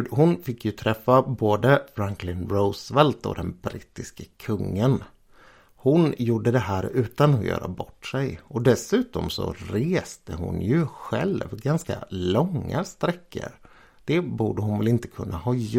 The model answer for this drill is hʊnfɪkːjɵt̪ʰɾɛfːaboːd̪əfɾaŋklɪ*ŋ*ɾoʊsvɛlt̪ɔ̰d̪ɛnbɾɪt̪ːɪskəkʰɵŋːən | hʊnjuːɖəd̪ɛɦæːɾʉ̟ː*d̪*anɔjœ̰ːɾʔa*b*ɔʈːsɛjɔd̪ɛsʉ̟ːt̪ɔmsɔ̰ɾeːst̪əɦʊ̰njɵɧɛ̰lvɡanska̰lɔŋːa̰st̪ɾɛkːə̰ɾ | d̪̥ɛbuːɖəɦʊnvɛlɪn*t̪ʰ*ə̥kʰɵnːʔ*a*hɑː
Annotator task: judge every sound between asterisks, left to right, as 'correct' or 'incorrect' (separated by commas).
incorrect, incorrect, correct, incorrect, correct